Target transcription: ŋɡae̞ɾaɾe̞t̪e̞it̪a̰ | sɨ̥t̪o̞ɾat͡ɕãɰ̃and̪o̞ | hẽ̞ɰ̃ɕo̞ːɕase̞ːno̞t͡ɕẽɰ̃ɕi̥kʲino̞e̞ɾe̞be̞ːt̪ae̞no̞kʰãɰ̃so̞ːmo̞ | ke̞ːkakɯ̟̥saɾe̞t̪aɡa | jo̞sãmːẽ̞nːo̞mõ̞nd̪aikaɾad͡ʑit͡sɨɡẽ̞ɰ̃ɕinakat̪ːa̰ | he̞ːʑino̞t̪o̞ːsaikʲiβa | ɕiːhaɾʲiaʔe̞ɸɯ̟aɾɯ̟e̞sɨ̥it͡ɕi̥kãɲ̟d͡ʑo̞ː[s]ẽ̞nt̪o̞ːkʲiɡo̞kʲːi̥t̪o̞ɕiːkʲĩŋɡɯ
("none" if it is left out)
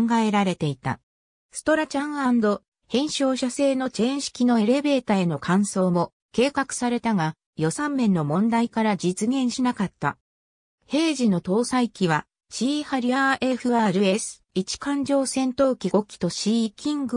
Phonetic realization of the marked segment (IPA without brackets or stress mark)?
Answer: s